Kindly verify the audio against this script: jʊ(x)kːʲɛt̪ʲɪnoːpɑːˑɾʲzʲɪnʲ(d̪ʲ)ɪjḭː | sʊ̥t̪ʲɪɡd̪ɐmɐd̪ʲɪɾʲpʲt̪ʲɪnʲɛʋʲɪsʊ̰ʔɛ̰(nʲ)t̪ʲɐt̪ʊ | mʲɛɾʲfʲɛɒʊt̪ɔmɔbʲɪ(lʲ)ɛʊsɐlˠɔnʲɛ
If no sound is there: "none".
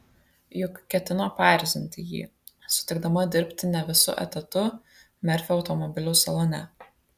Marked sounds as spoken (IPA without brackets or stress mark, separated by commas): k, t̪ʲ, none, lʲ